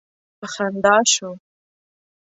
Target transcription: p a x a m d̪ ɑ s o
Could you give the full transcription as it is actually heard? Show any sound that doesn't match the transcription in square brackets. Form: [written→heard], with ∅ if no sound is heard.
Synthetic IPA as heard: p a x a [m→n] d̪ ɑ [s→ʃ] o